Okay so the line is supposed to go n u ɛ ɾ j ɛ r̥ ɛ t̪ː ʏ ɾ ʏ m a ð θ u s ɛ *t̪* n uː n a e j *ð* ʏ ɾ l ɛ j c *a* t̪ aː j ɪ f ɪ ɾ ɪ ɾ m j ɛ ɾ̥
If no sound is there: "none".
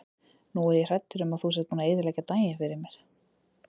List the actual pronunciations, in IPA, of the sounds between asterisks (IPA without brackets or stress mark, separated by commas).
t̪, ð, a